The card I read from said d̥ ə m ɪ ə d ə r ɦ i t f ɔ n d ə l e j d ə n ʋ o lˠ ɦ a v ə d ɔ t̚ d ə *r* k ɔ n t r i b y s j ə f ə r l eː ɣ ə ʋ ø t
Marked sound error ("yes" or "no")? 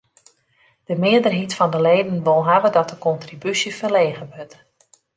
yes